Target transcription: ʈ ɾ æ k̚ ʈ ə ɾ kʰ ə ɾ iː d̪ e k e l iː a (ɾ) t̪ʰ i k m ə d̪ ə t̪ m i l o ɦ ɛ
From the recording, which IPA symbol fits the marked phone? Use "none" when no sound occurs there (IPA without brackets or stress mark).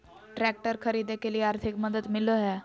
ɾ